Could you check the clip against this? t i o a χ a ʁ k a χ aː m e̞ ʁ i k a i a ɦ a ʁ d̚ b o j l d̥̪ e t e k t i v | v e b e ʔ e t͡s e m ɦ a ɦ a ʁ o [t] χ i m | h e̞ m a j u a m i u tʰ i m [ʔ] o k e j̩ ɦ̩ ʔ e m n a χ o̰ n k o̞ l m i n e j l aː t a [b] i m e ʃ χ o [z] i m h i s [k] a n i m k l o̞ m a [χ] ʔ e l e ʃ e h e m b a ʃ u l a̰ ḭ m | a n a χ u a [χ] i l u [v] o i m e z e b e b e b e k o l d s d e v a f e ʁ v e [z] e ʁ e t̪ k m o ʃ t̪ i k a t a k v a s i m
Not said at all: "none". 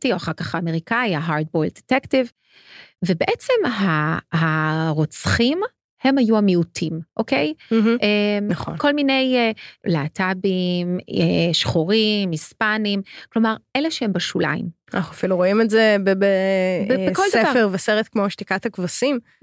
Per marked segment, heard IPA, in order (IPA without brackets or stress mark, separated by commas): t͡s, ʔ, b, ʁ, p, ʁ, f, ʁ, s